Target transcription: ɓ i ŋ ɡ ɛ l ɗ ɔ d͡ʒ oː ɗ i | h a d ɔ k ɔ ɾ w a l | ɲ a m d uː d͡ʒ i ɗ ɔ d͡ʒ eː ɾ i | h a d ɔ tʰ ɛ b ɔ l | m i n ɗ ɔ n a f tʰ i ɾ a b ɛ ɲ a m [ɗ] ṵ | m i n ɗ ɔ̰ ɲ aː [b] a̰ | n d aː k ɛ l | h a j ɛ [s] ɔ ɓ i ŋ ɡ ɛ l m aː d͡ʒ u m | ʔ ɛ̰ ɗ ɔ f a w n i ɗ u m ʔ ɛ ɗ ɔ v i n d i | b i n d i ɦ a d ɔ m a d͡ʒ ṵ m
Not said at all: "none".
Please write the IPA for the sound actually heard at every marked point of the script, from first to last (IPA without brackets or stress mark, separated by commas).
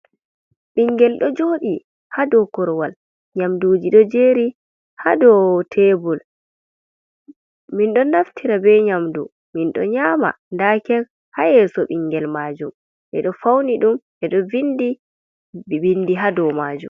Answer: d, m, s